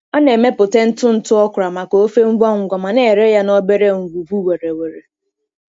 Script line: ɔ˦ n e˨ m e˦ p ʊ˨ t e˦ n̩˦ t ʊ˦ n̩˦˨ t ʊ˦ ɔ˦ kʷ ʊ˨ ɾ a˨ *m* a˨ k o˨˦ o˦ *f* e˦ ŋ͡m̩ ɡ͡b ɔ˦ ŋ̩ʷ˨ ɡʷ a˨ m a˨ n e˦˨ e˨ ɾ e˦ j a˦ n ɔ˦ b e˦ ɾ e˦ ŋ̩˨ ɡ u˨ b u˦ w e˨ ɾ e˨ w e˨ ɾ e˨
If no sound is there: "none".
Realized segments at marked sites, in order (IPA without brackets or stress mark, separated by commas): m, f